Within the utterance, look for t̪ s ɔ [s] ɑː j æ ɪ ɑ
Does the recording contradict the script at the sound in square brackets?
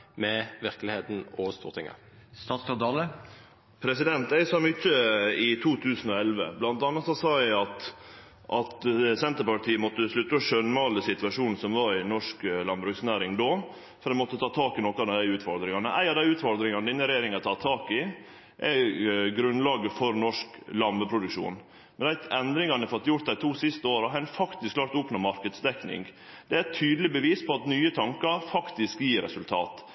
no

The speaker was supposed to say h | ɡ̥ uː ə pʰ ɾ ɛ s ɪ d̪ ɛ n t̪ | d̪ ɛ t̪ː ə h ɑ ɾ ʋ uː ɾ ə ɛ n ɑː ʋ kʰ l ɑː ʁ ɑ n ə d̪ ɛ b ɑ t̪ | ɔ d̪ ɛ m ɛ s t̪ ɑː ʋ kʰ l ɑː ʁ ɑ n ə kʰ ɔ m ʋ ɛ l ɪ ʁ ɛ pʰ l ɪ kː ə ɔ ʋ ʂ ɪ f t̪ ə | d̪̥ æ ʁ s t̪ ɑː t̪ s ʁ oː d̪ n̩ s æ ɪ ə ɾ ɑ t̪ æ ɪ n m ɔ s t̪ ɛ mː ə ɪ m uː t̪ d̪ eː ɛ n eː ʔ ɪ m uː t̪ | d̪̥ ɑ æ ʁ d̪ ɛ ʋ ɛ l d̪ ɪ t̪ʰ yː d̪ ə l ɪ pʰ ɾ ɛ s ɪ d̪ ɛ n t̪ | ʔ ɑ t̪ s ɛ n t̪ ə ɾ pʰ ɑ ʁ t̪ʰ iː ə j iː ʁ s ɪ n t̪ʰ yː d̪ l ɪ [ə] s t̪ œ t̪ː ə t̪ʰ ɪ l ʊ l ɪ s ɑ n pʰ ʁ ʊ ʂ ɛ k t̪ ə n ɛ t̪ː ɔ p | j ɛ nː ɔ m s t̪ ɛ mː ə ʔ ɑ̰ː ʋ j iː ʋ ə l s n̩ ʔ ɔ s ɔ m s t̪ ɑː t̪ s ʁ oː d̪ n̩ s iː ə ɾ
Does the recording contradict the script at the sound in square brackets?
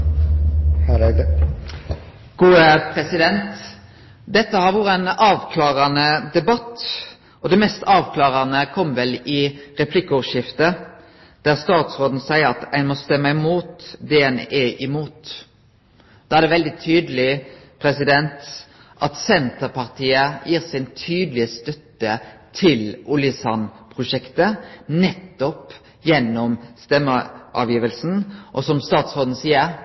no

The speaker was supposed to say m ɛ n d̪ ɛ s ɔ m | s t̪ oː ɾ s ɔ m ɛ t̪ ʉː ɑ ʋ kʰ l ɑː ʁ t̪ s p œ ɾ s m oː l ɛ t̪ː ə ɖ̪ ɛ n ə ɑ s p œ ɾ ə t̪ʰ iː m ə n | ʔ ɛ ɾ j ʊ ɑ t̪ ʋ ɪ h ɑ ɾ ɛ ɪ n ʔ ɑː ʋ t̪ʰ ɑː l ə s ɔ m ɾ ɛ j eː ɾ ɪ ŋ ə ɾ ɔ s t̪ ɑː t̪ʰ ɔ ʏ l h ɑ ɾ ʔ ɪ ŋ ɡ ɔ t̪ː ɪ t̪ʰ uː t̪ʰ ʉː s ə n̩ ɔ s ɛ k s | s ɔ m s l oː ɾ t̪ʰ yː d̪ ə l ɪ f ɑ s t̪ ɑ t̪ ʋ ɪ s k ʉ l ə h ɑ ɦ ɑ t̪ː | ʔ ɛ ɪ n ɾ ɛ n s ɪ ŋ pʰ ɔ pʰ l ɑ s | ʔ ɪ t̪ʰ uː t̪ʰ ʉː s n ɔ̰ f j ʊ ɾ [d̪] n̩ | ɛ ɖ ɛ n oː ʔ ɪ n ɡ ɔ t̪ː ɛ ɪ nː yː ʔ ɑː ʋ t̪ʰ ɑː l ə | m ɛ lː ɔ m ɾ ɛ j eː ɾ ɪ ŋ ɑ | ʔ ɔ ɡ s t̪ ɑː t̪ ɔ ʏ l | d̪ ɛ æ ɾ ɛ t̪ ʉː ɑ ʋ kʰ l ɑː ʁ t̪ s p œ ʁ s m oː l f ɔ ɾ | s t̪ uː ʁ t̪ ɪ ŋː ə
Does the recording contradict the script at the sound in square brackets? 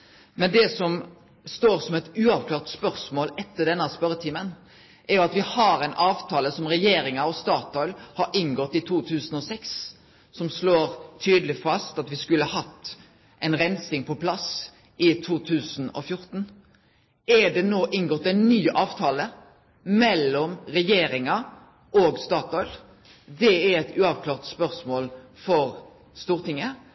yes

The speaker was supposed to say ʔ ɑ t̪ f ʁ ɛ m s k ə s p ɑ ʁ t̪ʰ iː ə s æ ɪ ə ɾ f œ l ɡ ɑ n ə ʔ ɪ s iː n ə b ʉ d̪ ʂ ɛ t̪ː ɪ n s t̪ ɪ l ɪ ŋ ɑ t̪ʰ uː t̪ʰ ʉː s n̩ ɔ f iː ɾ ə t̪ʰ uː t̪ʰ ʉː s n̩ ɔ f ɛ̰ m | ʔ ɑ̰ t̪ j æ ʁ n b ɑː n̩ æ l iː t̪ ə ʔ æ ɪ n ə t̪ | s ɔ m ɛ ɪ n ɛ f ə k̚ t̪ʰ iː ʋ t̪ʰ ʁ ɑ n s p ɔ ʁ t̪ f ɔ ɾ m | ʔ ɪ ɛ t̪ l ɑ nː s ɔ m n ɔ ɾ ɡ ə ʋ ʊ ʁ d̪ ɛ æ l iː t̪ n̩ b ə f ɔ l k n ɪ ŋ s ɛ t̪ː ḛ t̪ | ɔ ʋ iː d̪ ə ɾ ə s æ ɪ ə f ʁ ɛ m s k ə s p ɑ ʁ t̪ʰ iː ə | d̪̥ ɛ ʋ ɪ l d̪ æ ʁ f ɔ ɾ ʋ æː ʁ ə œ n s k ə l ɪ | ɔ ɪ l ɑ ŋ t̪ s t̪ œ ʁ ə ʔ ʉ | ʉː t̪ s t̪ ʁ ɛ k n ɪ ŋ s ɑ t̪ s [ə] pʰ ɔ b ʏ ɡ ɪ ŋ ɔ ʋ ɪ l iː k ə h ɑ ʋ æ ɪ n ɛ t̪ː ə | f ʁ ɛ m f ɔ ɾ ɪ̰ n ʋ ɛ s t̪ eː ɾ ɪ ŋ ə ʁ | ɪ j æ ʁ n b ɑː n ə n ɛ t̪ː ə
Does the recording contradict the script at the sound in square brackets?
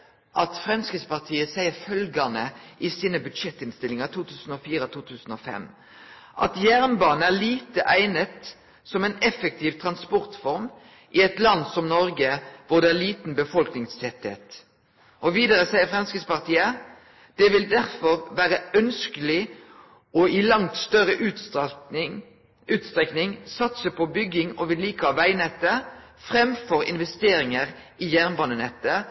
no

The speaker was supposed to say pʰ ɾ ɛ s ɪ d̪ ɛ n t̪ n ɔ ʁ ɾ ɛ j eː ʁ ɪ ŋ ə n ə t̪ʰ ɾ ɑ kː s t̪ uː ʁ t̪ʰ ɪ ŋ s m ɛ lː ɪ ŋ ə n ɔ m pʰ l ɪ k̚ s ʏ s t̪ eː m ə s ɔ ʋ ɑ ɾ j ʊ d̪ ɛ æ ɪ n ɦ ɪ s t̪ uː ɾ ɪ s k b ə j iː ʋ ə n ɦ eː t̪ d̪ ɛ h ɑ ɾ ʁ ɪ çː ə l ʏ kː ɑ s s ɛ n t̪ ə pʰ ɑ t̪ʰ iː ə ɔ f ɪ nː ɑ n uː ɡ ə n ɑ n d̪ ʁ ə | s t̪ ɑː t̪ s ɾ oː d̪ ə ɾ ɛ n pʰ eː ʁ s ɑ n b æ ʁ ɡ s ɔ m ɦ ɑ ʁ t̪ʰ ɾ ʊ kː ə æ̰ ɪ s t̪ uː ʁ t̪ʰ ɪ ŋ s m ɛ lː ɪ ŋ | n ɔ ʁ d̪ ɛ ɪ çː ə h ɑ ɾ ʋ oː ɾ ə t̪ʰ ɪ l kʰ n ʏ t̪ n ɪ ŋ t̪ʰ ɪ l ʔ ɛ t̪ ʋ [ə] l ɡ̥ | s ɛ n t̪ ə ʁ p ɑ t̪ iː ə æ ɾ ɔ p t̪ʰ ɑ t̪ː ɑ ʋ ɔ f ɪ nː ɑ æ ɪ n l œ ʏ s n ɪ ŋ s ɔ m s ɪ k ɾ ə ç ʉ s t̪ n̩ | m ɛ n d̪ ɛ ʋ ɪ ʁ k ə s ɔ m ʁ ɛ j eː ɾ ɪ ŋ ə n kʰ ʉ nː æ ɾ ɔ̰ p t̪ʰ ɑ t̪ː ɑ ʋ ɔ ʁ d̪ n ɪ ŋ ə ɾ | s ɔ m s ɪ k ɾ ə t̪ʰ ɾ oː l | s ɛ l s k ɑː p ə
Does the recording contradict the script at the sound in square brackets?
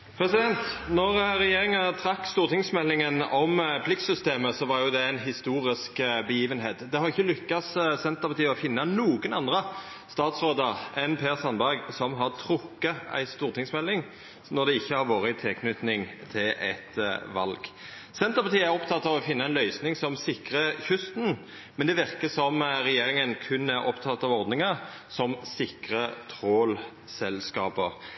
yes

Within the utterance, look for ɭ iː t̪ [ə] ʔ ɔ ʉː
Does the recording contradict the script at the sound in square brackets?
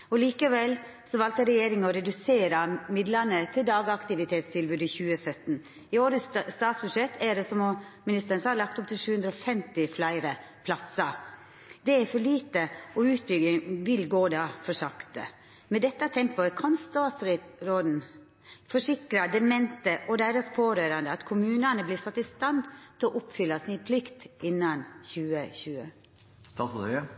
no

